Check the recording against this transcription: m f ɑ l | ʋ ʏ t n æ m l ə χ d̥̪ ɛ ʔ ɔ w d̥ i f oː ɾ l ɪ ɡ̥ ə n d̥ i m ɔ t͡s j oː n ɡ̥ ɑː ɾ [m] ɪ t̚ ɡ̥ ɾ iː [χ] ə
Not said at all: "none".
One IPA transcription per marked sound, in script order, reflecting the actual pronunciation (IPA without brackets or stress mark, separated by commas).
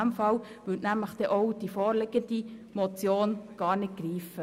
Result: n, f